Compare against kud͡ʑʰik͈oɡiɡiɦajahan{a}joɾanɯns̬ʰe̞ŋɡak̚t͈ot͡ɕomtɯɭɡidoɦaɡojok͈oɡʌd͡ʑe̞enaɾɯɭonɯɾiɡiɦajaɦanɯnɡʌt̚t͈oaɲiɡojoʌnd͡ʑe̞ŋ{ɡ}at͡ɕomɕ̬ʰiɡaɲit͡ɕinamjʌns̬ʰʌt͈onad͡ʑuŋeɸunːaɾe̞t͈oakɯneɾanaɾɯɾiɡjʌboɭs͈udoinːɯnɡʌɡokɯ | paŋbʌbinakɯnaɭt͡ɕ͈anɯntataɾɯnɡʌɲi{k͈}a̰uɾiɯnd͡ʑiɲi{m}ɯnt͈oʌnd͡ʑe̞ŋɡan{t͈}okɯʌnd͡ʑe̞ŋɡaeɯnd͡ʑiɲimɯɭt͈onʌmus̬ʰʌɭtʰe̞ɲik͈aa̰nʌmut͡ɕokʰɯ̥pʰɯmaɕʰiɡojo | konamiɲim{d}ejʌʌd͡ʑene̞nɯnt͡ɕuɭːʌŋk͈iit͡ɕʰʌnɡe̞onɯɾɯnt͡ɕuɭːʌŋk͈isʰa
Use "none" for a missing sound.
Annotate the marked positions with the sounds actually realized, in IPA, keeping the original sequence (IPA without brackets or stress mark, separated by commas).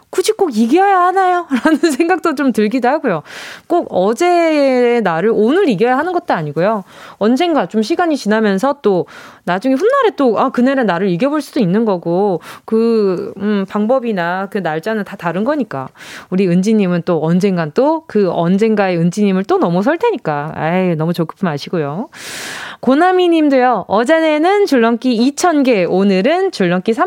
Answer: a, ɡ, k͈, m, t͈, d